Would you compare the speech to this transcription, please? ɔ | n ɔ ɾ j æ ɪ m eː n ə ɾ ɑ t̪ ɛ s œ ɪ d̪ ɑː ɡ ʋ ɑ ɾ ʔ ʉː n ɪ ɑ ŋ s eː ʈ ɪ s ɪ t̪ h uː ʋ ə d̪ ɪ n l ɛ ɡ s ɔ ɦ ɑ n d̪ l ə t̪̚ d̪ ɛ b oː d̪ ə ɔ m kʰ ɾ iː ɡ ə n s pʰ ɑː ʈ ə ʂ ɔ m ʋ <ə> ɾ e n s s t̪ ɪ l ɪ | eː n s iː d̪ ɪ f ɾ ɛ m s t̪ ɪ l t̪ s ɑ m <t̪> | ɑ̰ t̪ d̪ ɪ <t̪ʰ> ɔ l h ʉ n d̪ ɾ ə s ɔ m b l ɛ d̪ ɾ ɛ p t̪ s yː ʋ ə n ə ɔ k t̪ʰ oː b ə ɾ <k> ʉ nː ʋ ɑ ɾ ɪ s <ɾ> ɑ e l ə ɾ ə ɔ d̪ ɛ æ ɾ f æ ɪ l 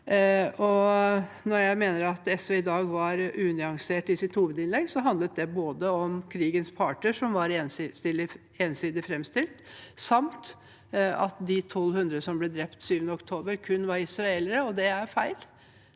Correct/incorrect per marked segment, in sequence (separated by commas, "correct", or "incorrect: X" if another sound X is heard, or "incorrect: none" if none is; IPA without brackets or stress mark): incorrect: ɑ, correct, correct, incorrect: kʰ, correct